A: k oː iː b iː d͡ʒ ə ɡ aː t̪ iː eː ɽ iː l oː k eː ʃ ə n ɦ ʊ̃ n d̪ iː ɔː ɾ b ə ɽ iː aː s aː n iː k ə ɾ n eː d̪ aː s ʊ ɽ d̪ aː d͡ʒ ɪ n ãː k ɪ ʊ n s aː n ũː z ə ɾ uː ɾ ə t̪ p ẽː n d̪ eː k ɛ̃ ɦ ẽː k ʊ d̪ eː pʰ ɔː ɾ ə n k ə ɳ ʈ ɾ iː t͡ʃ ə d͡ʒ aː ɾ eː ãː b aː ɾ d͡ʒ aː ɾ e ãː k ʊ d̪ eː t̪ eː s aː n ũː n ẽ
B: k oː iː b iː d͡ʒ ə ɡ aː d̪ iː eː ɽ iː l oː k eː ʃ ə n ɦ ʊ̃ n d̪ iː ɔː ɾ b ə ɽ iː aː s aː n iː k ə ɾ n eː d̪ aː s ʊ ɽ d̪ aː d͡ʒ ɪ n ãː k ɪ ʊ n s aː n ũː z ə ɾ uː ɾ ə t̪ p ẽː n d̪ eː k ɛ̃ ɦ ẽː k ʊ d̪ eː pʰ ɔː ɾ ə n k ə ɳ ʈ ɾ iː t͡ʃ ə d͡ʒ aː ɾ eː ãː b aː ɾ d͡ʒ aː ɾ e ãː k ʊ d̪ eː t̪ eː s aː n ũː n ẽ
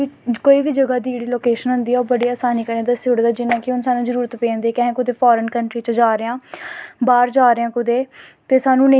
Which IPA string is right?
B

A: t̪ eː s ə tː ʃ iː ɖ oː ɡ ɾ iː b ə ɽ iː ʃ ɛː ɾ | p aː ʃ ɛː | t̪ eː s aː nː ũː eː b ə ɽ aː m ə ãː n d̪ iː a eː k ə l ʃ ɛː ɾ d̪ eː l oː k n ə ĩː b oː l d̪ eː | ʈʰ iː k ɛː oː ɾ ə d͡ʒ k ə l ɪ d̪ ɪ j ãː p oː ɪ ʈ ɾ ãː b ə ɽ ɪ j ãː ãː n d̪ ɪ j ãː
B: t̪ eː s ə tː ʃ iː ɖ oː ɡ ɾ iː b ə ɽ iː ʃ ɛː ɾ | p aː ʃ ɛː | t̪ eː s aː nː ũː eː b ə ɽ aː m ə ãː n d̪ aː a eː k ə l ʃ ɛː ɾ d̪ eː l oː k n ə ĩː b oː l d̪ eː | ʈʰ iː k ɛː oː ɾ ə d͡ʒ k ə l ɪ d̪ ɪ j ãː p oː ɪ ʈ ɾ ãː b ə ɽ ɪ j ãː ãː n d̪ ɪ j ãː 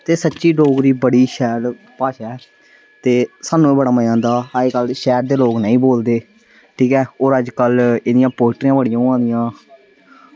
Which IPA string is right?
B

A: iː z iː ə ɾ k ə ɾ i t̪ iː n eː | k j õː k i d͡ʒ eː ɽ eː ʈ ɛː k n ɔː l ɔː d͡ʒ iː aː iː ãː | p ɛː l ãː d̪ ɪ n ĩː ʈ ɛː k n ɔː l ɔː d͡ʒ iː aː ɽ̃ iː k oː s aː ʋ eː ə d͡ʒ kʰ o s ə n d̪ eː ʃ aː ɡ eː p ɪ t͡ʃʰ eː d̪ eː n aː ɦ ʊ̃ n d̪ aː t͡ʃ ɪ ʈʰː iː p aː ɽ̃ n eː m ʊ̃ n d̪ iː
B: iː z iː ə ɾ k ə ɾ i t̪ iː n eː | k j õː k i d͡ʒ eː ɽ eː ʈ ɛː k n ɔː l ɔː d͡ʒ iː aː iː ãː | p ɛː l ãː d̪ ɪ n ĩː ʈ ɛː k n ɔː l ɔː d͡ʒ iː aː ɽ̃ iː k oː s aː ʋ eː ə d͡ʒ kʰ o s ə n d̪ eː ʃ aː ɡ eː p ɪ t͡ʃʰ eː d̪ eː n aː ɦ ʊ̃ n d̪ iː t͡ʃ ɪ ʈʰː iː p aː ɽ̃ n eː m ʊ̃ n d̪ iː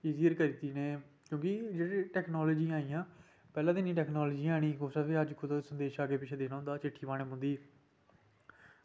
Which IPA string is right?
A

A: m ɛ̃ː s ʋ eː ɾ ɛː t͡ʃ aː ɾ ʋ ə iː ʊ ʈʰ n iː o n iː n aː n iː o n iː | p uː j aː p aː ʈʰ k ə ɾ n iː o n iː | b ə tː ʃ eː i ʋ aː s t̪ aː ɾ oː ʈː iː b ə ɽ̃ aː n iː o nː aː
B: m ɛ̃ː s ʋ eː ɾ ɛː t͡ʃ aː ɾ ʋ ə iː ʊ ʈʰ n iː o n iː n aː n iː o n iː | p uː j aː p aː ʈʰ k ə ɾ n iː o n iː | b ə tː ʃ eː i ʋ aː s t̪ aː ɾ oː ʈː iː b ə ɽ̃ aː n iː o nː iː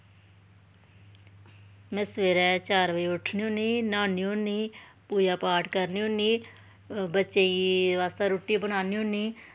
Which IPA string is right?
B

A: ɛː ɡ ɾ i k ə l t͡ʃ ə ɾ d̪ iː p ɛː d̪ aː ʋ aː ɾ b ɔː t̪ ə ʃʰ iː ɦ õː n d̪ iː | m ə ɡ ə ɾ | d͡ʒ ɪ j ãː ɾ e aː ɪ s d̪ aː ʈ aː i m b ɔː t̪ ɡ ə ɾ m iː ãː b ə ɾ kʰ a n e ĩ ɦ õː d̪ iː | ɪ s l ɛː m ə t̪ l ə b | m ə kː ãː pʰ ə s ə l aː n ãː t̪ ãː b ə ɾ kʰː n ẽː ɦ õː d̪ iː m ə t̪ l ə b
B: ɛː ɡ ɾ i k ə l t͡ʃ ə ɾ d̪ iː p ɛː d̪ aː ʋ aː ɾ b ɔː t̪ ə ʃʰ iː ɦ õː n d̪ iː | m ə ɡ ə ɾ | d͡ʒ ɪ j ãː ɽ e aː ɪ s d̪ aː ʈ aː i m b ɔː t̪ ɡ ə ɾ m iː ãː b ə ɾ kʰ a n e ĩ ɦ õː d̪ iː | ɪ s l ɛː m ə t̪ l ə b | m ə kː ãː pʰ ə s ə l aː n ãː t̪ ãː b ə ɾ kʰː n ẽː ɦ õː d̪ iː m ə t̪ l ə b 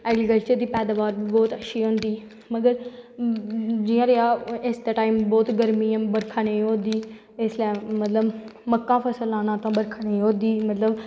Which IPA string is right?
A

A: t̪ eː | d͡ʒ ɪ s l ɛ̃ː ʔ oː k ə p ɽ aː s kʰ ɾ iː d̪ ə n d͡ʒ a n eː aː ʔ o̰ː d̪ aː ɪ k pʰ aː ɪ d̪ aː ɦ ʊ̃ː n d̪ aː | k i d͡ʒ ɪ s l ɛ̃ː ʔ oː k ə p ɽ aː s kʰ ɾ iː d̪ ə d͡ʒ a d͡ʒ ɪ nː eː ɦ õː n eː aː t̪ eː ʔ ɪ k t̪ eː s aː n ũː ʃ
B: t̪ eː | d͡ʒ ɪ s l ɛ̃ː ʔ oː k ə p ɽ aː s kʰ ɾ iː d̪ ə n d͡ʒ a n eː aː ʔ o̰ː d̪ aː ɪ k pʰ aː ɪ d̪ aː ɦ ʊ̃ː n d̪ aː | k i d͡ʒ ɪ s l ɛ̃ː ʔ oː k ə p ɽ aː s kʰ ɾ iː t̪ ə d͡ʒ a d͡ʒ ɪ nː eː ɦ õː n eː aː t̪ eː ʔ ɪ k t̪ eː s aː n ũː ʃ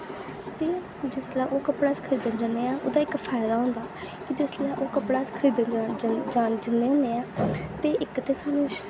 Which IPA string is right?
A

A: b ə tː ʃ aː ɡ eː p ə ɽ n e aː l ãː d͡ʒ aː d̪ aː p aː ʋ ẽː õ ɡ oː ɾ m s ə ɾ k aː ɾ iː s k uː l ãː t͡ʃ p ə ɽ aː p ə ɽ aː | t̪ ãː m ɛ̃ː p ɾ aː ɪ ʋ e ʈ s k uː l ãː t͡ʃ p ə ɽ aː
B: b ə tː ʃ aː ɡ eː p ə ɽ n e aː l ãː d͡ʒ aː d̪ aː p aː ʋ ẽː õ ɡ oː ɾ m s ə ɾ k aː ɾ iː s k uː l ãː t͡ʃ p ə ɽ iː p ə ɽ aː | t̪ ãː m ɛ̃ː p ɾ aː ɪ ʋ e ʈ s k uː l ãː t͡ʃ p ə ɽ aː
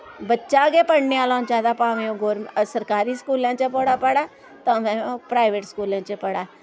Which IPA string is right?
A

